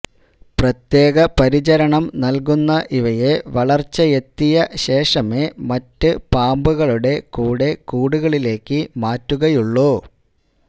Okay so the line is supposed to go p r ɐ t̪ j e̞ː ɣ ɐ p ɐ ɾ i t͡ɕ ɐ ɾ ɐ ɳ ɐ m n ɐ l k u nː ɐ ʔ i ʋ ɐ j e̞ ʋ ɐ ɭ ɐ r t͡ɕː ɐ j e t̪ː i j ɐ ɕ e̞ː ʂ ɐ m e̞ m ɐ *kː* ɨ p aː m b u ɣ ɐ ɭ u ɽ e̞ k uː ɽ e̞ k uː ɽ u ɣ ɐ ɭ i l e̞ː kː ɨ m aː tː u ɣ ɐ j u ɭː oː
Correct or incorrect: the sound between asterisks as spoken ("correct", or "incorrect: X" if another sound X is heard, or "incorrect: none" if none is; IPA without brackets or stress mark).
incorrect: tː